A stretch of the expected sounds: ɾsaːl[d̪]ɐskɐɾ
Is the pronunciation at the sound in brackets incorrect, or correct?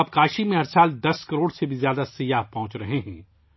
correct